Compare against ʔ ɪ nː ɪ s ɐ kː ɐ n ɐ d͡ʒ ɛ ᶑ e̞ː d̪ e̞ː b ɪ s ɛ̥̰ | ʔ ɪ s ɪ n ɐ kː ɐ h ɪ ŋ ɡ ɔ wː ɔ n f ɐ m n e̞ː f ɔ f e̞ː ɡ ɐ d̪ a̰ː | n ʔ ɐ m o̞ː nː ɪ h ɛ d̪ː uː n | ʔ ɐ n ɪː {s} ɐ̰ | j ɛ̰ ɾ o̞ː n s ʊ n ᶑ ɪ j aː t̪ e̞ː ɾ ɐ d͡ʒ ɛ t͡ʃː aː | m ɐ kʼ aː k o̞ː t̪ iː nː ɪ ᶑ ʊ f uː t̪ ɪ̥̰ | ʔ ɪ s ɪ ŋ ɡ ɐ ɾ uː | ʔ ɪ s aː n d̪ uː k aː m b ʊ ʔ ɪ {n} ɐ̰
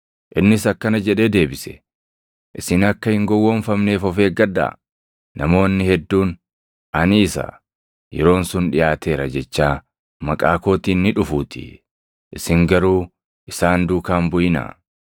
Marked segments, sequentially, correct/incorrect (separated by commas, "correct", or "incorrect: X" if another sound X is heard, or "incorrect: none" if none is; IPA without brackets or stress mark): correct, correct